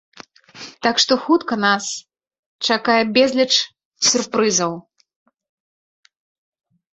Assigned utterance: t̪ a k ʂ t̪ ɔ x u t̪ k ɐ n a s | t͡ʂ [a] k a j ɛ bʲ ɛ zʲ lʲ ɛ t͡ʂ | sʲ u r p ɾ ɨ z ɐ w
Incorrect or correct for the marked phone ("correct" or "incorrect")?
correct